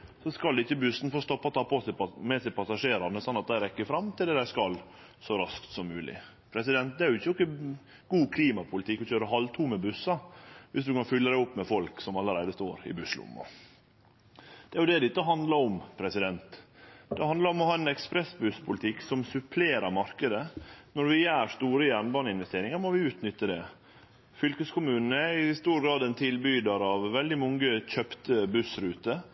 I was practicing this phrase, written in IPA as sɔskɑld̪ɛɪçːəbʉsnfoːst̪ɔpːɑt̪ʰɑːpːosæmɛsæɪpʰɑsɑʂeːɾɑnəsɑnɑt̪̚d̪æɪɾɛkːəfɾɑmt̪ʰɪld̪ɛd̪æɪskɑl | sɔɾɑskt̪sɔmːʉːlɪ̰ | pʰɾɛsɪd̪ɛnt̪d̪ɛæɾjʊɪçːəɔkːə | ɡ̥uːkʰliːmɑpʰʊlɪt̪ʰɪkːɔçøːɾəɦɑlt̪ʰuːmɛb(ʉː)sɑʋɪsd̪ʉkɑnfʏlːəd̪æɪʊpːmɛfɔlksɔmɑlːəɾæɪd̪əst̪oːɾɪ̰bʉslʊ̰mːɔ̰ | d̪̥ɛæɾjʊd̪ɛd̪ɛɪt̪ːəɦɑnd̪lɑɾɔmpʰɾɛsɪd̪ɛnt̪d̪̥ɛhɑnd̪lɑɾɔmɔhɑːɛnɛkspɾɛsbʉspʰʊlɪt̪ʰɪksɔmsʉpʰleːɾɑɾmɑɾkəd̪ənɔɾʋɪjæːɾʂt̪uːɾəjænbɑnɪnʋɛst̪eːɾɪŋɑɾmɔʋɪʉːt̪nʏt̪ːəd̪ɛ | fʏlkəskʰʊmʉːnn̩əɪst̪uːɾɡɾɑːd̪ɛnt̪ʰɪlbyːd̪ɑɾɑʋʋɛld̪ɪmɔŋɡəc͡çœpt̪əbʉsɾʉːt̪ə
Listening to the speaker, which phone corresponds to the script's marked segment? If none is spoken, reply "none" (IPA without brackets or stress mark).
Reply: ʉ